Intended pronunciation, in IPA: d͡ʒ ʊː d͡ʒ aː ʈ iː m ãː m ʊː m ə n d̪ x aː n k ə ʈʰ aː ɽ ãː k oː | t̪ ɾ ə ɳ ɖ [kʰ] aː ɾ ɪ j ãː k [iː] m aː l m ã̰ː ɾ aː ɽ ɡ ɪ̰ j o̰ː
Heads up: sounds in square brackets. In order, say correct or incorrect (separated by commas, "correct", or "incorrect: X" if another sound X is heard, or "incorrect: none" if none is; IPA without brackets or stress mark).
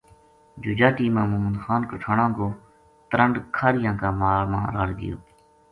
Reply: correct, incorrect: aː